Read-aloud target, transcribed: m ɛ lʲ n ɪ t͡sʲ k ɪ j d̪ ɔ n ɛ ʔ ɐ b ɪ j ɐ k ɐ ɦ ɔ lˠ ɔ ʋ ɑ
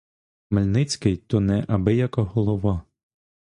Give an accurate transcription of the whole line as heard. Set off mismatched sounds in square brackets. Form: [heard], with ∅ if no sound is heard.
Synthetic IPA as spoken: m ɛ lʲ n ɪ t͡sʲ k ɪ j [t̪] ɔ n ɛ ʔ ɐ b ɪ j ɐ k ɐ ɦ ɔ lˠ ɔ ʋ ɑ